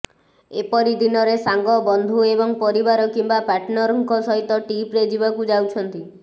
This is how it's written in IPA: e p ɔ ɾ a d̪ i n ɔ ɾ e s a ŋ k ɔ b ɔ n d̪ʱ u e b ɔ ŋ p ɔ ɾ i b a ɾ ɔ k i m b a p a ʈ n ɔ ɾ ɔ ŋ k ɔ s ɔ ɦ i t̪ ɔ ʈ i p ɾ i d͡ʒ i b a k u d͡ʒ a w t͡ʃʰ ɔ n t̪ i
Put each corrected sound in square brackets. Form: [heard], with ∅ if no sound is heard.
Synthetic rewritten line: e p ɔ ɾ [i] d̪ i n ɔ ɾ e s a ŋ [ɡ] ɔ b ɔ n d̪ʱ u e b ɔ ŋ p ɔ ɾ i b a ɾ ɔ k i m b a p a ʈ n ɔ ɾ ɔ ŋ k ɔ s ɔ ɦ i t̪ ɔ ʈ i p ɾ [e] d͡ʒ i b a k u d͡ʒ a w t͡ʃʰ ɔ n t̪ i